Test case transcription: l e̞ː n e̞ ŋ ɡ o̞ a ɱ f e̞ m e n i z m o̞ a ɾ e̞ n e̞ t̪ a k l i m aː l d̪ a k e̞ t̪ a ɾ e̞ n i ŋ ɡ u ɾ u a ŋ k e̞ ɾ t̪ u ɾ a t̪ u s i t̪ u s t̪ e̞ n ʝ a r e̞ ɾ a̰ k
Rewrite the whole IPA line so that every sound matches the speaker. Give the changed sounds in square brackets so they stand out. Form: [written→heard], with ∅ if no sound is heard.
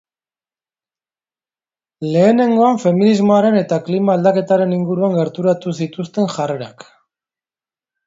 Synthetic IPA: l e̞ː n e̞ ŋ ɡ o̞ a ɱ f e̞ m [e→i] n i z m o̞ a ɾ e̞ n e̞ t̪ a k l i m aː l d̪ a k e̞ t̪ a ɾ e̞ n i ŋ ɡ u ɾ u a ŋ [k→ɡ] e̞ ɾ t̪ u ɾ a t̪ u s i t̪ u s t̪ e̞ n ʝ a r e̞ ɾ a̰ k